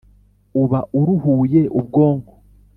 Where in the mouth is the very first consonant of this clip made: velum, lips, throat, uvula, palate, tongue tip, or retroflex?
lips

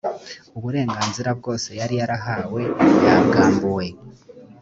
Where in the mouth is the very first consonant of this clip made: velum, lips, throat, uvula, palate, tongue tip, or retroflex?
lips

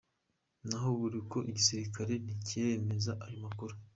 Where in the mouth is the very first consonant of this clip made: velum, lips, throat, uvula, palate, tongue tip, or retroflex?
tongue tip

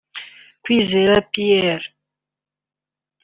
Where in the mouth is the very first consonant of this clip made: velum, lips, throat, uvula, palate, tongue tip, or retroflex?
velum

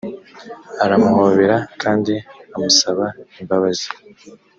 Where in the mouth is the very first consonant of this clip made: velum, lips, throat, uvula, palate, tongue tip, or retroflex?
tongue tip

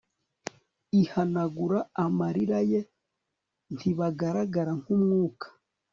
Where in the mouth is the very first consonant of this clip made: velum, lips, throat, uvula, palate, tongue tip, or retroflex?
throat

